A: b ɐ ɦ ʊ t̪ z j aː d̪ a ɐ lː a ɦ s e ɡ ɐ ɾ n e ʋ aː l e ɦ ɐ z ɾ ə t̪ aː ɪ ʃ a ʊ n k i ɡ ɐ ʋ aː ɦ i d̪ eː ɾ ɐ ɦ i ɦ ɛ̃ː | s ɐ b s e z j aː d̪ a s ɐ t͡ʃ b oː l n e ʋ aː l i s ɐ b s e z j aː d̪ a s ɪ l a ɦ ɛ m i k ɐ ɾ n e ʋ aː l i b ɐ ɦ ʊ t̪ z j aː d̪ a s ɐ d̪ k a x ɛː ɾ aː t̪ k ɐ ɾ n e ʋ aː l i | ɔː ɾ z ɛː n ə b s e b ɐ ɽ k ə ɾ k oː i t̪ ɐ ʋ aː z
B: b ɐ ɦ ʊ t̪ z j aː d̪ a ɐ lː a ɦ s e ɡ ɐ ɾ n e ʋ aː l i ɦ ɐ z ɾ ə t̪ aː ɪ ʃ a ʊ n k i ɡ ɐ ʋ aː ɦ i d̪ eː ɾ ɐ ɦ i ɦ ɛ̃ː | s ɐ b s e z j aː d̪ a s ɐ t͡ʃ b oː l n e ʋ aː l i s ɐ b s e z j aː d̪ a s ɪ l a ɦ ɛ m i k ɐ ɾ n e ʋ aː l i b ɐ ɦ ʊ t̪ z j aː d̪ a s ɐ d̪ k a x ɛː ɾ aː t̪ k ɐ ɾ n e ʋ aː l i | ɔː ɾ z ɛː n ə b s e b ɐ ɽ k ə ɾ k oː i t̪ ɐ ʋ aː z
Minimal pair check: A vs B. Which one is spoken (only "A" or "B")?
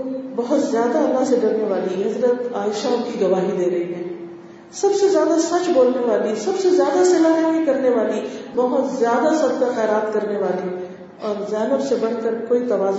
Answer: B